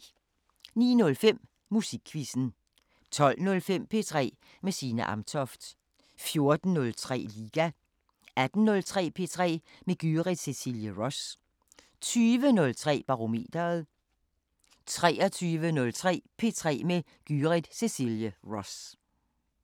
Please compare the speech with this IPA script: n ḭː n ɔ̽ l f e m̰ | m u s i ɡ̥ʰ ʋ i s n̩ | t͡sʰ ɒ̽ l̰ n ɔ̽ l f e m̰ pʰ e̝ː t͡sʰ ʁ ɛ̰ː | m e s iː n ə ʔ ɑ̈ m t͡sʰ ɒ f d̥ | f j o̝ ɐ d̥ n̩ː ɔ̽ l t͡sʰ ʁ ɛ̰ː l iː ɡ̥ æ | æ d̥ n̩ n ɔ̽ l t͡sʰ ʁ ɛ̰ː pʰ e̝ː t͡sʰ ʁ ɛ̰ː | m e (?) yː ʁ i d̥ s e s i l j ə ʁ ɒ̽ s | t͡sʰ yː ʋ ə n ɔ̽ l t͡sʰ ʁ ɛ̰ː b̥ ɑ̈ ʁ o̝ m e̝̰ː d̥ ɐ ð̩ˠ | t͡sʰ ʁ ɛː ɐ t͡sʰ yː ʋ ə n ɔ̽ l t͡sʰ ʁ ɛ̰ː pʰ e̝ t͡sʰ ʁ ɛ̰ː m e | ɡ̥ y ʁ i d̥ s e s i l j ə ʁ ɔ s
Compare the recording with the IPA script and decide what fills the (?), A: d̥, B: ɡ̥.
B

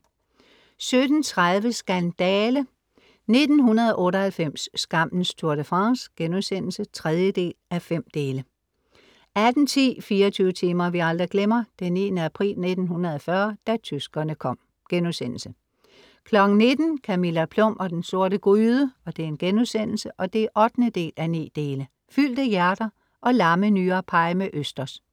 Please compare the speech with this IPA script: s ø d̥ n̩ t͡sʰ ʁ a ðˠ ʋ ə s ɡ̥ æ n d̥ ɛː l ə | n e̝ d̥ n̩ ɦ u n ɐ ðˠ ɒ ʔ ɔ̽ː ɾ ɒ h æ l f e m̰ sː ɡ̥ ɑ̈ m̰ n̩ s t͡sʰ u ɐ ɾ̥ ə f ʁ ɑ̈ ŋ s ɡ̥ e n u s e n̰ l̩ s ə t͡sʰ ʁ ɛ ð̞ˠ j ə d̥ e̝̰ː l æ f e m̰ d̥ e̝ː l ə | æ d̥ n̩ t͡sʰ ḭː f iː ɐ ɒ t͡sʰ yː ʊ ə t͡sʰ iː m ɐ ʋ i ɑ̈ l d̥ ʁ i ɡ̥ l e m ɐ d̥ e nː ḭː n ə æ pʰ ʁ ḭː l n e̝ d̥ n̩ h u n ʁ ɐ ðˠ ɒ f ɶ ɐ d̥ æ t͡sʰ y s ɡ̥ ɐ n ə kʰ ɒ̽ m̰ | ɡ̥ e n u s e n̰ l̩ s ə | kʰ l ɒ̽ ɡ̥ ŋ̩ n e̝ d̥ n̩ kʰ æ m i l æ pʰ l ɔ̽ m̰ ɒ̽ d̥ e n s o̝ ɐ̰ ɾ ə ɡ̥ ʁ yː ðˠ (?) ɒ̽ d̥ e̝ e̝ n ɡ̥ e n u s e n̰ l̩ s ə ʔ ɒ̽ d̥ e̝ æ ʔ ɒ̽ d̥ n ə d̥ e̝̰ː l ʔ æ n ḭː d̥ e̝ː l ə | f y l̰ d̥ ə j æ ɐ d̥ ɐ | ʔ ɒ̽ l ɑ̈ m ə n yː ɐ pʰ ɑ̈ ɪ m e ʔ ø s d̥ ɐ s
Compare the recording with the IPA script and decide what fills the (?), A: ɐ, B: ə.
B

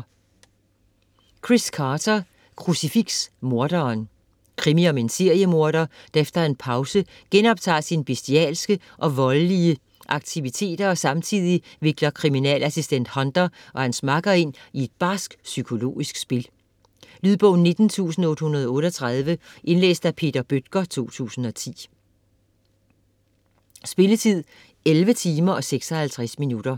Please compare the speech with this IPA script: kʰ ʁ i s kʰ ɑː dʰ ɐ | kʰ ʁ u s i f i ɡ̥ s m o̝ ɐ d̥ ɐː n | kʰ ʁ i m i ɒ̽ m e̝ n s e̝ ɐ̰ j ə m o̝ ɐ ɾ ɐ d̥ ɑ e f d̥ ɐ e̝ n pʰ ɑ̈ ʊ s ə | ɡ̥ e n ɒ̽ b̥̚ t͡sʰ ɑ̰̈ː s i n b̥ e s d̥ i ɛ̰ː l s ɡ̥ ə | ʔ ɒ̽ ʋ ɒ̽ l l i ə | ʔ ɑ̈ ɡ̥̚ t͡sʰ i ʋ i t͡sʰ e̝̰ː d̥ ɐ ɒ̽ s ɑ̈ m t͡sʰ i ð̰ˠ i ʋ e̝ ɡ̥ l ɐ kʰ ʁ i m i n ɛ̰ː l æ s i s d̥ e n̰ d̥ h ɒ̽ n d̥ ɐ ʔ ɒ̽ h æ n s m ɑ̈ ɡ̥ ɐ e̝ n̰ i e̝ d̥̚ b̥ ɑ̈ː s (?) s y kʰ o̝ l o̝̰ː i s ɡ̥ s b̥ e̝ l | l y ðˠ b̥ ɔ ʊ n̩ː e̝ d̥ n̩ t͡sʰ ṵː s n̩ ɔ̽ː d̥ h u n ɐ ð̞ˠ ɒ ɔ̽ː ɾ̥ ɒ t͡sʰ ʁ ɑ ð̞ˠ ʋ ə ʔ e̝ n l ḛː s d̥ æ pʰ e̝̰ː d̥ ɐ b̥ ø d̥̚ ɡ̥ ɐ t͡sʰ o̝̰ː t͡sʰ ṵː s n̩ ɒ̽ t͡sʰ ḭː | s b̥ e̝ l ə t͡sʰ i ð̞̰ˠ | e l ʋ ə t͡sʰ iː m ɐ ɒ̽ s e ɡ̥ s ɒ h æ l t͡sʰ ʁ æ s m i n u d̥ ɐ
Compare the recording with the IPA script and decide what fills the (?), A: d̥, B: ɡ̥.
B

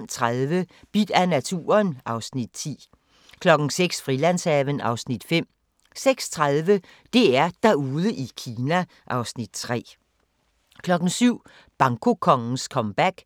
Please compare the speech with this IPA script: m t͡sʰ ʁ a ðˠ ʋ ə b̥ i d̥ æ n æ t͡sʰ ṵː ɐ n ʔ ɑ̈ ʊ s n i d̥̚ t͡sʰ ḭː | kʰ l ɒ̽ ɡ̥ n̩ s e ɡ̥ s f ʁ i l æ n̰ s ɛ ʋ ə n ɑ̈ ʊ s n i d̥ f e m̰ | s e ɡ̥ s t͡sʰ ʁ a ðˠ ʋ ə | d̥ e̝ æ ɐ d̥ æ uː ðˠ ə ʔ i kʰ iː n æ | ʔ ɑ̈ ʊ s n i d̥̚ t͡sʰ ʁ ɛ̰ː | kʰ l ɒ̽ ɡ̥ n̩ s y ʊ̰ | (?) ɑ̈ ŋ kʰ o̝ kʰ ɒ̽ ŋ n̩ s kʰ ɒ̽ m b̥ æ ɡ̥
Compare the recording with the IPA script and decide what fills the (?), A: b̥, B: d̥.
A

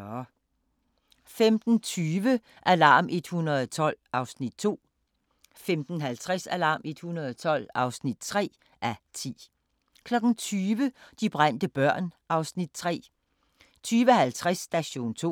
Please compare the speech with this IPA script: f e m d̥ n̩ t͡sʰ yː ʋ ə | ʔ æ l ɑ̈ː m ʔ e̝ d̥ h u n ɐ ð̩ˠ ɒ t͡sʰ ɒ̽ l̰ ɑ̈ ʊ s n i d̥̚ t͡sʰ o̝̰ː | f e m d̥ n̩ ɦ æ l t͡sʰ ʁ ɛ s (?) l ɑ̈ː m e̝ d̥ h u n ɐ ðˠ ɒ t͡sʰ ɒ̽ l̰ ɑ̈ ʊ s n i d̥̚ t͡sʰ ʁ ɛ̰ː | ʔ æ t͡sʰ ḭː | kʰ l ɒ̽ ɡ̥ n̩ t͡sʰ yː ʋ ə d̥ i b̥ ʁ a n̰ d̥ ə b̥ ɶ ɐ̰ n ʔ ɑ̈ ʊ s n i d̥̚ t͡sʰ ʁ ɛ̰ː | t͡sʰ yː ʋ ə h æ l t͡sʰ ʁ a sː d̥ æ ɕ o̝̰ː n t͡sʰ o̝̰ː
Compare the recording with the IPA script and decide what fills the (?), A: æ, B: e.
A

